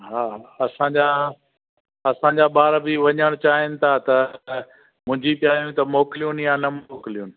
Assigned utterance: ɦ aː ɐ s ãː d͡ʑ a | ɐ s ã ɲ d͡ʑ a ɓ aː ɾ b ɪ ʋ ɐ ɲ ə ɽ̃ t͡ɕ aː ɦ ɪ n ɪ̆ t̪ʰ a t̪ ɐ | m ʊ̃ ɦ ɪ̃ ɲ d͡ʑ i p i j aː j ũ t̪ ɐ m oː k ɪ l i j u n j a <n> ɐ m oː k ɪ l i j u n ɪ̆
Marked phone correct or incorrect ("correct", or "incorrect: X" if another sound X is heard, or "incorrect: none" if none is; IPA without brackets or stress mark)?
correct